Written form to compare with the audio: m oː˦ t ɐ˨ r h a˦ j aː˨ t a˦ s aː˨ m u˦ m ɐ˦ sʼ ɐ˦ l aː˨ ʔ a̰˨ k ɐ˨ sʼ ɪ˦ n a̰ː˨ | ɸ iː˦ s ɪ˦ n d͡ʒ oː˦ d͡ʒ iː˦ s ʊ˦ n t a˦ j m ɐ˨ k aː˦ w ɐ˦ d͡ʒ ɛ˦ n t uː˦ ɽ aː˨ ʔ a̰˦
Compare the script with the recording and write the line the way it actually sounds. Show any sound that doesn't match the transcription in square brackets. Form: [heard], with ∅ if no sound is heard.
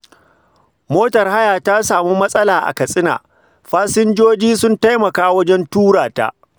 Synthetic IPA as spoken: m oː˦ t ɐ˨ r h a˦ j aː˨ t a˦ s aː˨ m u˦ m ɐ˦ sʼ ɐ˦ l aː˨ ʔ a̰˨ k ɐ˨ sʼ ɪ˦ n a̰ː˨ | ɸ [aː˦] s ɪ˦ n d͡ʒ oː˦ d͡ʒ iː˦ s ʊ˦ n t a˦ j m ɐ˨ k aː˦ w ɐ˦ d͡ʒ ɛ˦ n t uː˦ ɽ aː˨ [t] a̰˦